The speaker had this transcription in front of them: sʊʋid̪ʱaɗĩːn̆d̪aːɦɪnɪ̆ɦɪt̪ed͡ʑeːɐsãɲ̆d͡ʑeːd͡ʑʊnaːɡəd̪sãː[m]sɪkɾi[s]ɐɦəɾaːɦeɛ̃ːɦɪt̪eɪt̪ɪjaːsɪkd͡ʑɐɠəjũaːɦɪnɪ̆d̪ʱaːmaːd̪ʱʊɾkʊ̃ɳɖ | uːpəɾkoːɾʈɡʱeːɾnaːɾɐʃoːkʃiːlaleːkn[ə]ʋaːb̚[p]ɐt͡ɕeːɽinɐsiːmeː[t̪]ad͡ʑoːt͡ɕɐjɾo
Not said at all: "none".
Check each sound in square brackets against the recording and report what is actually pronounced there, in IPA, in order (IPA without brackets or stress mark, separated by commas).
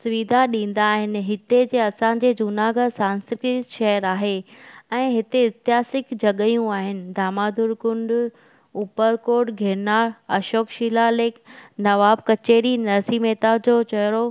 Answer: n, ʃ, ɐ, k, t̪